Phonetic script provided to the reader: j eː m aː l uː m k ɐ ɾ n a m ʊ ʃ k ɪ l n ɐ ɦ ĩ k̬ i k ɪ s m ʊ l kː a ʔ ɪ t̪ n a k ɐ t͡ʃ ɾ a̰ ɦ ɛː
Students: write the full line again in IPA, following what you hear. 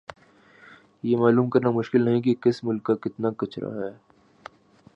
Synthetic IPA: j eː m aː l uː m k ɐ ɾ n a m ʊ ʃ k ɪ l n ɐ ɦ ĩ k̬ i k ɪ s m ʊ l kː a k ɪ t̪ n a k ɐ t͡ʃ ɾ a̰ ɦ ɛː